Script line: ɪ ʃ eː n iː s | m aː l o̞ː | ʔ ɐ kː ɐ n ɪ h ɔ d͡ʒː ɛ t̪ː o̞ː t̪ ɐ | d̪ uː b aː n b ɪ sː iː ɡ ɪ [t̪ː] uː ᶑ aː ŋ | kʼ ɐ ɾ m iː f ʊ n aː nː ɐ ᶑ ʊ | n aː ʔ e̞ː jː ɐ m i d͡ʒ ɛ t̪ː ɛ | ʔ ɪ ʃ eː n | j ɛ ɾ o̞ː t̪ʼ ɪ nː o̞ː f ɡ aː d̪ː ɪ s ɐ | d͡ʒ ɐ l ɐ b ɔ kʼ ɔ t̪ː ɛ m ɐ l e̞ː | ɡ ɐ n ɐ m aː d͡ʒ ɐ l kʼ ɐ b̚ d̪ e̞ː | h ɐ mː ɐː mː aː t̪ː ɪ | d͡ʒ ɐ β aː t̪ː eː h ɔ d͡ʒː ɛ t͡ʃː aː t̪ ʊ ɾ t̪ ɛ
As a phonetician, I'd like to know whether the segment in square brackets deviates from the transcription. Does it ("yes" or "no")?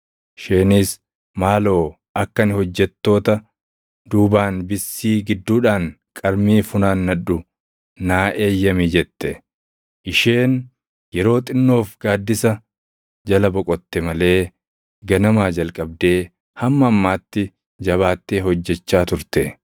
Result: yes